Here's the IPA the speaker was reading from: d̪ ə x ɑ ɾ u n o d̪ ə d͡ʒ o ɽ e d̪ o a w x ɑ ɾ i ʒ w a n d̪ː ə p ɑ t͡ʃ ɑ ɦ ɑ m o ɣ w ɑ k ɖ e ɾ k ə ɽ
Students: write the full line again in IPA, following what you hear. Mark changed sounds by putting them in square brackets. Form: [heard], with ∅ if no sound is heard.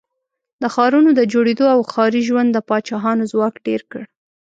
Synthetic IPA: d̪ ə x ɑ ɾ u n o d̪ ə d͡ʒ o ɽ e d̪ o a w x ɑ ɾ i ʒ w a n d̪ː ə p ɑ t͡ʃ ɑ ɦ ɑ [n] o [z] w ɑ k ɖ e ɾ k ə ɽ